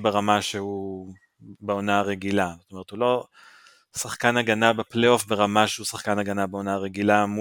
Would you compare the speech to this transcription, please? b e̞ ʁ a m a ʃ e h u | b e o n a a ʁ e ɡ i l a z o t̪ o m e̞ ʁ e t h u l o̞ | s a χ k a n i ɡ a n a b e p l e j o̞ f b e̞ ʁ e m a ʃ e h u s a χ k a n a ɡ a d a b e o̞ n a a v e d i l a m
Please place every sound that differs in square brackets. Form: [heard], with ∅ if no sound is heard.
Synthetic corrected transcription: b e̞ ʁ a m a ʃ e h u | b e o n a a ʁ e ɡ i l a z o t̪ o m e̞ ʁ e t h u l o̞ | s a χ k a n [a] ɡ a n a b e p l e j o̞ f b e̞ ʁ [a] m a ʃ e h u s a χ k a n a ɡ a [n] a b e o̞ n a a [ʁ] e [ɡ] i l a m